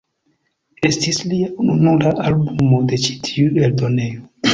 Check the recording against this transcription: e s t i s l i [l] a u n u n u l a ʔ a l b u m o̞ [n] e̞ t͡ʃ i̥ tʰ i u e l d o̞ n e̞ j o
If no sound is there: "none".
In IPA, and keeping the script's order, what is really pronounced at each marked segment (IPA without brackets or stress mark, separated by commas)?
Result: none, d